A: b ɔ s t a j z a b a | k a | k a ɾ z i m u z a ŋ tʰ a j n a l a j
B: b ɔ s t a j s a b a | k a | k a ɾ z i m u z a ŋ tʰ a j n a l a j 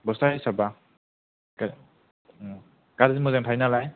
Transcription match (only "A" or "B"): B